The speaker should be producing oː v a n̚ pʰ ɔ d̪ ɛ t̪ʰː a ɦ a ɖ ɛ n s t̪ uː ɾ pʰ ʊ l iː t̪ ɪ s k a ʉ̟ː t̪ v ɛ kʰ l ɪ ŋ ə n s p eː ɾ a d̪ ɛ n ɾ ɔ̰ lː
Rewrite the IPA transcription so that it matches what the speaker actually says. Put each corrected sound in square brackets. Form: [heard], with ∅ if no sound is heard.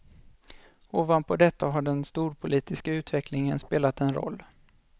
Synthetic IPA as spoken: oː v a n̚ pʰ ɔ d̪ ɛ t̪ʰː a ɦ a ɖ ɛ n s t̪ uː ɾ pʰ ʊ l iː t̪ ɪ s k a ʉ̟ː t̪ v ɛ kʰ l ɪ ŋ ə n s p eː [l] a [t̪] ɛ n ɾ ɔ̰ lː